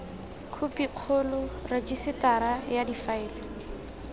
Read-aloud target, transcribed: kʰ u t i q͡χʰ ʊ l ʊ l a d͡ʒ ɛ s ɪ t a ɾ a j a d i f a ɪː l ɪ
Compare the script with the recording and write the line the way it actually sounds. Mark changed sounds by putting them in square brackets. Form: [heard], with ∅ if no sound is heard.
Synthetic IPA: kʰ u [p] i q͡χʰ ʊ l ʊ [r] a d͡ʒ [i] s ɪ t a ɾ a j a d i f a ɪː l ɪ